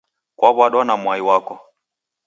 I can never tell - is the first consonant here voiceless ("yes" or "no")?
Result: yes